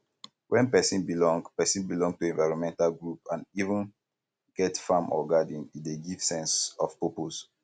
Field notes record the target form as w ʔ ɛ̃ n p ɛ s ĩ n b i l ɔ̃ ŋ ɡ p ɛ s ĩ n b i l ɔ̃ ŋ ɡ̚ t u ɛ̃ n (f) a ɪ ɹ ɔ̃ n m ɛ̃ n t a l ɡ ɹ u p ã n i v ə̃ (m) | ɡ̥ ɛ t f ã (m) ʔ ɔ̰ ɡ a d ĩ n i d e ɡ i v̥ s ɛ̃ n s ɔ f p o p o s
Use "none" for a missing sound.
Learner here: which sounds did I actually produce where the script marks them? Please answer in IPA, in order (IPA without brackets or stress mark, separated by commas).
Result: v, n, m